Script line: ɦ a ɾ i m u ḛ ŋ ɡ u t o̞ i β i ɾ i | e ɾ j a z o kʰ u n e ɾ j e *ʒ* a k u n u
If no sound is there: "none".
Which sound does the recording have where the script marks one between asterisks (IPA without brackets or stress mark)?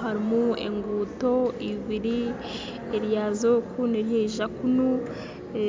ʒ